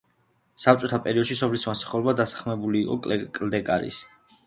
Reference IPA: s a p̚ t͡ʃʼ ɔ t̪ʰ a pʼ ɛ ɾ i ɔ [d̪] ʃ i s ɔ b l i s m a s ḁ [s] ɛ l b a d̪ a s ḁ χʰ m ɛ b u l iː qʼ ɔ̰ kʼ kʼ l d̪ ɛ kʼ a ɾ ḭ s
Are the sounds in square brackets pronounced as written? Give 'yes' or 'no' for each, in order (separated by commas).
yes, no